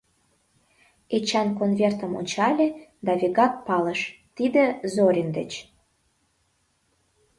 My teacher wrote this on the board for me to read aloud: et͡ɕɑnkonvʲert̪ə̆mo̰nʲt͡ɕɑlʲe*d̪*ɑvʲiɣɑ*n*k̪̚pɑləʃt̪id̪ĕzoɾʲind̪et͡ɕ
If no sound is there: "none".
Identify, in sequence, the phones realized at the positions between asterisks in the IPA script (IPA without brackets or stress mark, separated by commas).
d̪, none